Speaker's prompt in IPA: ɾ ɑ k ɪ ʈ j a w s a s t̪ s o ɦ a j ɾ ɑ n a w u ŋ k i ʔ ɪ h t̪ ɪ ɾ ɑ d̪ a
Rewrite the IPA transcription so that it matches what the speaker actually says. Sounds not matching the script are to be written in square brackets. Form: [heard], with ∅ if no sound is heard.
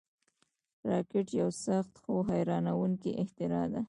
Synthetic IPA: ɾ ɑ k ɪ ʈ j a w s a [x] t̪ [x] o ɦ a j ɾ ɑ n a w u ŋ k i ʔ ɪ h t̪ ɪ ɾ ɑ d̪ a